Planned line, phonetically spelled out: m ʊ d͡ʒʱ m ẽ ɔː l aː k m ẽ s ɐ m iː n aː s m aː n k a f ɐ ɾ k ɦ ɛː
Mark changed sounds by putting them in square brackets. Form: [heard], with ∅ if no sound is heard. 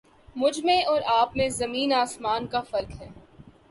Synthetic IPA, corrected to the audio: m ʊ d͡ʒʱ m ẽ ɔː [ɾ] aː [p] m ẽ [z] ɐ m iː n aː s m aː n k a f ɐ ɾ k ɦ ɛː